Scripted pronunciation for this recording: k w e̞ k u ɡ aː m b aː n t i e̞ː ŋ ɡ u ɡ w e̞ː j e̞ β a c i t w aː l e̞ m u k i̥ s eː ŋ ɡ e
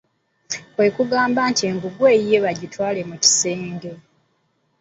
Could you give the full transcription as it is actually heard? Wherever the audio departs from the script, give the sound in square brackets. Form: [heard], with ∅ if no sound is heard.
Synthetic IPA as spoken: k w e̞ k u ɡ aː m b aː n t i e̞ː ŋ ɡ u ɡ w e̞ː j e̞ β a [ɟ] i t w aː l e̞ m u [c] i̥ s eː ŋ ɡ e